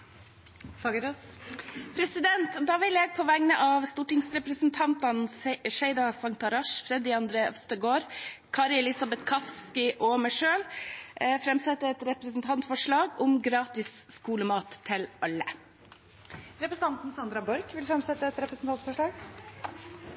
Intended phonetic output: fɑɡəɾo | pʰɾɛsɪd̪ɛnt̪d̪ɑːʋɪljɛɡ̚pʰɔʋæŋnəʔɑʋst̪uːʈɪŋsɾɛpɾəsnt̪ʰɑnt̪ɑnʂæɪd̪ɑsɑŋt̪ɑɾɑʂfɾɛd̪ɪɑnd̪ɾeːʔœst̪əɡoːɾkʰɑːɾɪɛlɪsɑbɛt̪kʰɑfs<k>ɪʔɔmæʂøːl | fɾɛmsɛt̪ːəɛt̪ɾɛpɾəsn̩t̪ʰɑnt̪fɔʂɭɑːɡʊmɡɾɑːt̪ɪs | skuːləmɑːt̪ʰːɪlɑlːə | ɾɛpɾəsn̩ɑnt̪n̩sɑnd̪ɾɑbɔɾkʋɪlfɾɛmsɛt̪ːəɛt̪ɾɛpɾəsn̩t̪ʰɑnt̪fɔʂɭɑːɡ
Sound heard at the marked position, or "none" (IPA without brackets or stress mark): k